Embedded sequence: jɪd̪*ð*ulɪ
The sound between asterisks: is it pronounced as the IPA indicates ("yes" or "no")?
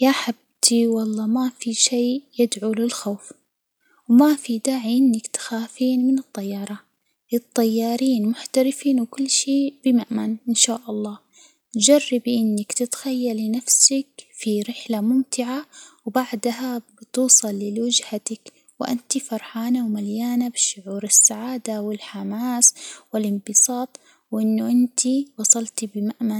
no